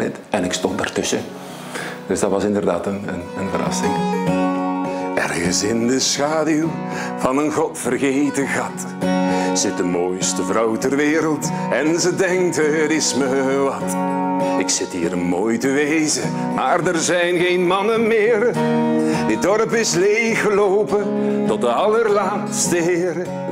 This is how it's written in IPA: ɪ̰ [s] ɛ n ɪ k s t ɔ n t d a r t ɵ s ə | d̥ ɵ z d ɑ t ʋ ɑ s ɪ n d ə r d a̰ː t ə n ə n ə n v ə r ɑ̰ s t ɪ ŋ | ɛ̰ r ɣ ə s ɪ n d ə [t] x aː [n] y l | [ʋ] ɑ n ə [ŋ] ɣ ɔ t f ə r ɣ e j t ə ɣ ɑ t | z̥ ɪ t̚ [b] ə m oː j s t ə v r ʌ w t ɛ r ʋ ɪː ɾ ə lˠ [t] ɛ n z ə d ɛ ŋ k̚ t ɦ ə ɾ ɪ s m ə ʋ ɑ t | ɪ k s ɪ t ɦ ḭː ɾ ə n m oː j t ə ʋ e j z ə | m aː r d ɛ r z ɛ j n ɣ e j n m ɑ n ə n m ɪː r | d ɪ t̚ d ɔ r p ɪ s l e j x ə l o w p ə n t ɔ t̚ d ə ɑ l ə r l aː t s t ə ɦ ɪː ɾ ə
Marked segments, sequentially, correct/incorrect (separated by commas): incorrect, incorrect, incorrect, incorrect, incorrect, incorrect, correct